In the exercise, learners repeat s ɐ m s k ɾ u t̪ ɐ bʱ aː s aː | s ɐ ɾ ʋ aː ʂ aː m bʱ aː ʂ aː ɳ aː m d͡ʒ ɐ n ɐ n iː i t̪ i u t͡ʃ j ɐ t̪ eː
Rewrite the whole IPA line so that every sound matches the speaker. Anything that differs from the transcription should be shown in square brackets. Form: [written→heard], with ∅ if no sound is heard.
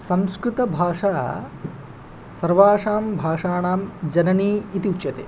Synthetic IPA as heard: s ɐ m s k ɾ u t̪ ɐ bʱ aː [s→ʂ] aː | s ɐ ɾ ʋ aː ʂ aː m bʱ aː ʂ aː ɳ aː m d͡ʒ ɐ n ɐ n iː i t̪ i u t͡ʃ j ɐ t̪ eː